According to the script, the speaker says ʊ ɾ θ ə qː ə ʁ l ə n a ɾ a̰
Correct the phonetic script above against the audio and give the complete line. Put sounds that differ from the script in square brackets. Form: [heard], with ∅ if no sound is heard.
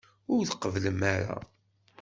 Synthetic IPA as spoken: ʊ ɾ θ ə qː ə [v] l ə [m] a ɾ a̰